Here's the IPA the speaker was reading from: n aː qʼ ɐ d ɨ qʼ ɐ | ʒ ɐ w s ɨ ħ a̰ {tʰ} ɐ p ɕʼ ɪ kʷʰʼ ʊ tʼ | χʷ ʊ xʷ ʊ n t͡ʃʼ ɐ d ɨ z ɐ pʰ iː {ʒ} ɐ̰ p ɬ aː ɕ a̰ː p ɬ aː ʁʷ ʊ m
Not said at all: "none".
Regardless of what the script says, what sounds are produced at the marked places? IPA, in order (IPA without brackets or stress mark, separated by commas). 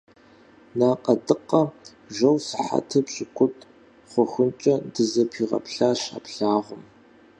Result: tʰ, ʁ